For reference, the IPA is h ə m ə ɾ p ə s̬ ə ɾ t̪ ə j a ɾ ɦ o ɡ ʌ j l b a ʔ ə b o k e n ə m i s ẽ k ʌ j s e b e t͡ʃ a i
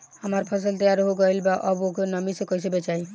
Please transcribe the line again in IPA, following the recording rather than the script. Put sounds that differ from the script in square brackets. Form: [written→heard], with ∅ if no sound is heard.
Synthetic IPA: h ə m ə ɾ [p→pʰ] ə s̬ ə [ɾ→l] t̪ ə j a ɾ ɦ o ɡ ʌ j l b a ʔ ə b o k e n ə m i s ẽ k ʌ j s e b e t͡ʃ a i

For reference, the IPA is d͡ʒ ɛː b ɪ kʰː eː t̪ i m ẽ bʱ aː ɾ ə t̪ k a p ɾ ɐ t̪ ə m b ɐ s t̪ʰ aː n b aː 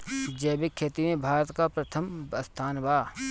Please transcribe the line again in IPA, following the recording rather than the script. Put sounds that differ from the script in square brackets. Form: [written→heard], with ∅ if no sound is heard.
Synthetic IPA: d͡ʒ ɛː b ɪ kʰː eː t̪ i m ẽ bʱ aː ɾ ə t̪ k a p ɾ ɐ [t̪→t̪ʰ] ə m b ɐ s t̪ʰ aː n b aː

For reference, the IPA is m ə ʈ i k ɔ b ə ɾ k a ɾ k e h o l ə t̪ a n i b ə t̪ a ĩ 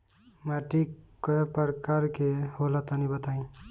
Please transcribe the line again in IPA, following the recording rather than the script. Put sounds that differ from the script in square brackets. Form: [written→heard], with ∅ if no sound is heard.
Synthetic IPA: m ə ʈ i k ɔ [b→p] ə ɾ k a ɾ k e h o l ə t̪ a n i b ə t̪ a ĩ

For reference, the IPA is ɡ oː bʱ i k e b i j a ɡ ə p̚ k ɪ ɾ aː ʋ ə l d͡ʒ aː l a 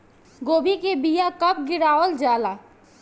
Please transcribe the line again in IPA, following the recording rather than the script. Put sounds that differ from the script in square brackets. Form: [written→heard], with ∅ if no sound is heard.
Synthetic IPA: ɡ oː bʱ i k e b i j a [ɡ→k] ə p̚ [k→ɡ] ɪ ɾ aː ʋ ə l d͡ʒ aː l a

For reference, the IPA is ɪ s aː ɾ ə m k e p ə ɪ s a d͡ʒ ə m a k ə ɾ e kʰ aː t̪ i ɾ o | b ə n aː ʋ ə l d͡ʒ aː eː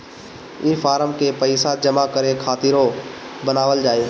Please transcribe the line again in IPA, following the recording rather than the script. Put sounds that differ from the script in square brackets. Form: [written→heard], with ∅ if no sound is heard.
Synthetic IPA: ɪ [s→f] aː ɾ ə m k e p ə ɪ s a d͡ʒ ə m a k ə ɾ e kʰ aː t̪ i ɾ o | b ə n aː ʋ ə l d͡ʒ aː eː

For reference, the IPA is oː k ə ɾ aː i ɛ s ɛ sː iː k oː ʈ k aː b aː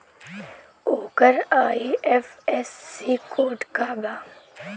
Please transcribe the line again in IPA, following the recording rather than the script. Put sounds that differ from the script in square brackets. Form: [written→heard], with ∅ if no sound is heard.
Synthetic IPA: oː k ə ɾ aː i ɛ [s→f] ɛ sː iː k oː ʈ k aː b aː

